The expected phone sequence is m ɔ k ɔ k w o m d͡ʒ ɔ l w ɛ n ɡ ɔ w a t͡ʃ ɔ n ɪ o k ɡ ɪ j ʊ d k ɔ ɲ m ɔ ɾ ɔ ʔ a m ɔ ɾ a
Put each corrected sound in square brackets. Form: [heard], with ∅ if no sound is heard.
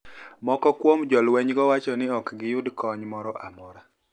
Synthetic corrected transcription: m ɔ k ɔ k w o m d͡ʒ ɔ l w ɛ [ɲ] ɡ ɔ w a t͡ʃ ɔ n ɪ [ɔ] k ɡ ɪ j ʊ d k ɔ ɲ m ɔ ɾ ɔ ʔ a m ɔ ɾ a